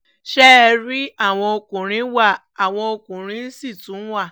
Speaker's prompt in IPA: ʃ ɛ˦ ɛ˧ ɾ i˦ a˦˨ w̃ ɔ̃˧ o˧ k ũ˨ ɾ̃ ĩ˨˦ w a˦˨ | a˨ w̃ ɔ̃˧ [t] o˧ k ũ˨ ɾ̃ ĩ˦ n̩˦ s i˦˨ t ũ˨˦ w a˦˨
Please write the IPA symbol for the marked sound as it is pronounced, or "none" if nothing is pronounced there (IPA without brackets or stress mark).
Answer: none